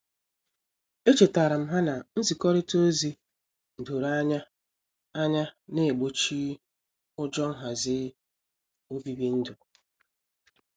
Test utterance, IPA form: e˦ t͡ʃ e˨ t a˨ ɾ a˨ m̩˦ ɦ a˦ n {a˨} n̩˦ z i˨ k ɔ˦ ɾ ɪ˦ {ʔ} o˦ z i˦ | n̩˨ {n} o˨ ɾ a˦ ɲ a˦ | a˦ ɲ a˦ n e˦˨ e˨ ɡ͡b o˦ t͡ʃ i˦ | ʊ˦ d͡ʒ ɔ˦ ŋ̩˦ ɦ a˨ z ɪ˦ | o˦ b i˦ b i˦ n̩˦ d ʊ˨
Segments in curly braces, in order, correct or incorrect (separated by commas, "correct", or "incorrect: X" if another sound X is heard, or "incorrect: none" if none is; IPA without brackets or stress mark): correct, incorrect: t, incorrect: d